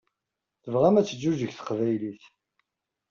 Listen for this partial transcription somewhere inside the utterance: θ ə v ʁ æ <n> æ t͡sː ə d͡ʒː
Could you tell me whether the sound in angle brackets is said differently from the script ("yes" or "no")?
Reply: yes